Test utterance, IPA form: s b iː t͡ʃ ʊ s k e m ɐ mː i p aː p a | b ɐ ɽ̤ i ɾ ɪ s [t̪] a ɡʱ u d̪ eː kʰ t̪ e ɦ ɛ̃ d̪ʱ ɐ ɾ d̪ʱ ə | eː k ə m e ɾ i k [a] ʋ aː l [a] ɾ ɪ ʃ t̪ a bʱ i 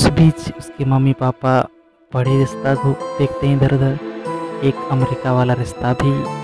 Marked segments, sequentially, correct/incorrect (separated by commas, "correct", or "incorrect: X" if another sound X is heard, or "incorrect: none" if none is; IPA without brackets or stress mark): correct, correct, correct